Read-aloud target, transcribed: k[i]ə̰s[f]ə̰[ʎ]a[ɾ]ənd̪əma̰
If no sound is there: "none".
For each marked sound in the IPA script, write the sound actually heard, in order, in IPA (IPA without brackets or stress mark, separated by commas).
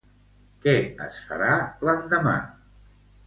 ɛ, f, ɾ, l